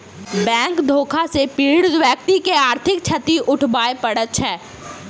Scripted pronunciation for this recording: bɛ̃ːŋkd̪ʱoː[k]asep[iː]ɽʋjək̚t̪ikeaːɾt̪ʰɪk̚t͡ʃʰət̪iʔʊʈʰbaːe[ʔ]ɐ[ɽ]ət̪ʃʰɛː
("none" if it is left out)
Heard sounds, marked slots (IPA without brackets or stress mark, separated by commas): kʰ, iː, p, ɽ